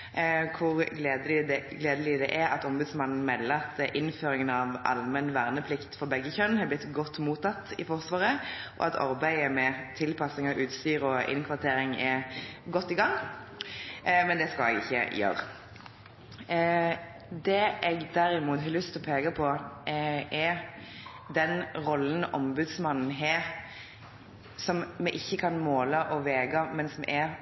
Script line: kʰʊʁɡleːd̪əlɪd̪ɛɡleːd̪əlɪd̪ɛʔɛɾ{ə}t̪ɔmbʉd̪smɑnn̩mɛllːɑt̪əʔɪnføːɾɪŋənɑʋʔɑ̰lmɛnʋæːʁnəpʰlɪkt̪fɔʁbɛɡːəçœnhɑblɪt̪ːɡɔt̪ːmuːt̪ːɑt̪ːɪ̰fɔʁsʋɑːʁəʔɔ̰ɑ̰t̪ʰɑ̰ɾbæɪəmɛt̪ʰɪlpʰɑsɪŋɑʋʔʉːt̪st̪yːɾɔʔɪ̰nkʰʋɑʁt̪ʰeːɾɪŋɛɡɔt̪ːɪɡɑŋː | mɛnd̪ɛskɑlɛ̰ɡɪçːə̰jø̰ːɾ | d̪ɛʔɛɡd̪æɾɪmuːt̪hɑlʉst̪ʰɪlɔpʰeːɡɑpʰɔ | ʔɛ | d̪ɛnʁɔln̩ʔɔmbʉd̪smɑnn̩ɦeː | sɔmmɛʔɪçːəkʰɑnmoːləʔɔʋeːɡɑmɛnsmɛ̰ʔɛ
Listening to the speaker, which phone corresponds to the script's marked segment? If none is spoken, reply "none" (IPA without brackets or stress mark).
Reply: ɑ